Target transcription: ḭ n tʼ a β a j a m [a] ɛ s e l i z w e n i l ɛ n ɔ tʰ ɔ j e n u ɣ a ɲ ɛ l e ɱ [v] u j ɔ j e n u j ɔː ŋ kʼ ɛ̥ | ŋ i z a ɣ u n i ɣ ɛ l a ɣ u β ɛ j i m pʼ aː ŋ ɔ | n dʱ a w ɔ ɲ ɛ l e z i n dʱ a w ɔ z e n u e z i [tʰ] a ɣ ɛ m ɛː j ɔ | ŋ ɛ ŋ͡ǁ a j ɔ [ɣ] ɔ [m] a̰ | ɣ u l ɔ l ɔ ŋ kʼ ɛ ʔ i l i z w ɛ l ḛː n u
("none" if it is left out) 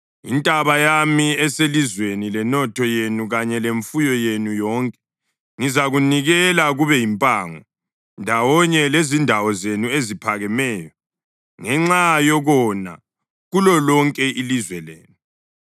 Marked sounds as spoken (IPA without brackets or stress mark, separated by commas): i, f, pʰ, ɣ, n